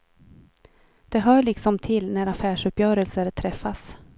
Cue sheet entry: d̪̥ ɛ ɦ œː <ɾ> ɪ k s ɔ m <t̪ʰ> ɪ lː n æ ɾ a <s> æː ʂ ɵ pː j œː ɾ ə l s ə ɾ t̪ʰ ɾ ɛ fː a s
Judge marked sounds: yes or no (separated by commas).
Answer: no, yes, no